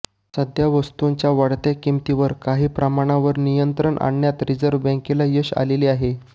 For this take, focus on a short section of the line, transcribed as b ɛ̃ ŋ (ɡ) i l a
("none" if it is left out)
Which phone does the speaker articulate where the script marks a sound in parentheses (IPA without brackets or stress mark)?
k